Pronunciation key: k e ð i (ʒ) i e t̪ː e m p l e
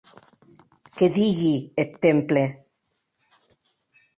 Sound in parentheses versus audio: incorrect: ɣ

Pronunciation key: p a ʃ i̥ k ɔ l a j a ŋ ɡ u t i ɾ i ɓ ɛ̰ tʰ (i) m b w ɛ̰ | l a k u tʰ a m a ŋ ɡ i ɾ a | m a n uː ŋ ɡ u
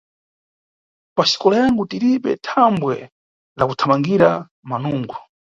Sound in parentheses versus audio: incorrect: a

